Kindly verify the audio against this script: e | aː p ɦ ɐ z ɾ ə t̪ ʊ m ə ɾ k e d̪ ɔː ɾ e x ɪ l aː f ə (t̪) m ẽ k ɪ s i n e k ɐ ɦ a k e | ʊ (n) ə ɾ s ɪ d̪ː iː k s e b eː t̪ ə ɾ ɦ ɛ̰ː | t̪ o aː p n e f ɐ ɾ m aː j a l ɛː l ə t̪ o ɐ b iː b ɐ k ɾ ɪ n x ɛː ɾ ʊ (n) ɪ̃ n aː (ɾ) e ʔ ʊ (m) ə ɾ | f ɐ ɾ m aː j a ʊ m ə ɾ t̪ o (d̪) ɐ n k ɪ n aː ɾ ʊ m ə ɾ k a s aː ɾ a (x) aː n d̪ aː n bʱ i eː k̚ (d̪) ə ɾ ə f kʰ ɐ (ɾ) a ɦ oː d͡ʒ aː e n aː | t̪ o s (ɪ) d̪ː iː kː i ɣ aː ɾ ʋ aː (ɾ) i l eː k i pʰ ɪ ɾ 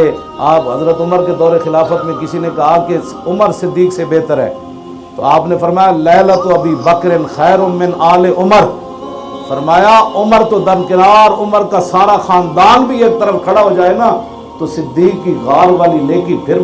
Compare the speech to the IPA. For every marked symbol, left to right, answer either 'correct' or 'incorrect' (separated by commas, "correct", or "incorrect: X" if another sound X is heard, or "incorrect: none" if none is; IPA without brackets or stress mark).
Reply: correct, incorrect: m, incorrect: m, incorrect: l, correct, correct, correct, incorrect: t̪, incorrect: ɽ, correct, incorrect: l